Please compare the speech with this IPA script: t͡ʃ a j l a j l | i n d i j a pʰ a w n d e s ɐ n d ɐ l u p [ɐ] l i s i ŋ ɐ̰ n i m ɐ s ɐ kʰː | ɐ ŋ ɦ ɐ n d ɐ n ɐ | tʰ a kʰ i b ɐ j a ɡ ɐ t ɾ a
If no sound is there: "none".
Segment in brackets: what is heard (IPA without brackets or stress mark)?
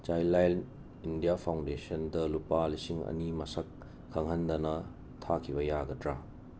a